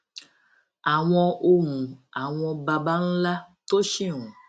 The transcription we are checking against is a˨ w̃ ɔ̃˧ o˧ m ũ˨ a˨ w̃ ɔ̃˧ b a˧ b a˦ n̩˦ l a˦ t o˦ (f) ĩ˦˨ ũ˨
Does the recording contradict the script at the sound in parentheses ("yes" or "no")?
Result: yes